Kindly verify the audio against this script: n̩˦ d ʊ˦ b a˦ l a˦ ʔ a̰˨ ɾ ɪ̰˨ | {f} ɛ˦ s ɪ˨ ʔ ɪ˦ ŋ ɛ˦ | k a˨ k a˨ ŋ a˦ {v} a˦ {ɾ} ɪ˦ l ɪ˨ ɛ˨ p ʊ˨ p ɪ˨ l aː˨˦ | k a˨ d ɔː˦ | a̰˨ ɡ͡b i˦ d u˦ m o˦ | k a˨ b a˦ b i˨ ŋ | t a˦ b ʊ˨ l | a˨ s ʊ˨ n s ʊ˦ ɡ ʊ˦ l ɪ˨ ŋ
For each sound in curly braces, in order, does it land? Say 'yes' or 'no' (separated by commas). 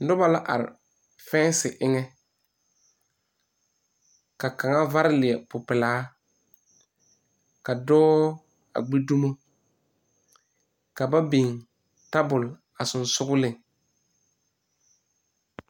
yes, yes, yes